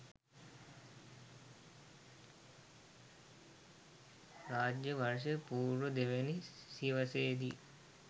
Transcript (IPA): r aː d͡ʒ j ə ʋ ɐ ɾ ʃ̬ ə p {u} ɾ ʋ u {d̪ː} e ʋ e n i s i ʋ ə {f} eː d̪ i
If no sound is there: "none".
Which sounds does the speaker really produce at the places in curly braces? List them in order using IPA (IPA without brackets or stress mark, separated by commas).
uː, d̪, s